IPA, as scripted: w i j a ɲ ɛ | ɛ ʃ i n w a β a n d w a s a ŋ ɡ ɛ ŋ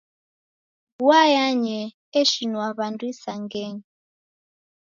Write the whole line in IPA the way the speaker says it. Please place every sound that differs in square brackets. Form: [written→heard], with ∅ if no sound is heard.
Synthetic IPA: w [i→a] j a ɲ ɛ | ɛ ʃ i n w a β a n d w [a→i] s a ŋ ɡ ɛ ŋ